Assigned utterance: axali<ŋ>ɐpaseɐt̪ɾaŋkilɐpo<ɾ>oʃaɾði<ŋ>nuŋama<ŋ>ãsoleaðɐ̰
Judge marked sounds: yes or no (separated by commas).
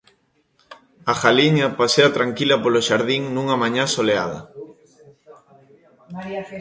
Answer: no, no, yes, no